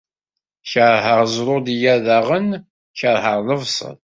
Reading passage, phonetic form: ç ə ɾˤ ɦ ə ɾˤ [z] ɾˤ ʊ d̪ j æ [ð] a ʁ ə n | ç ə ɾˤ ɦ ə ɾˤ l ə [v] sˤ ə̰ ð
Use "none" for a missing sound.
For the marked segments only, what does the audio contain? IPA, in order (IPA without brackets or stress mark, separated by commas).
z, ð, v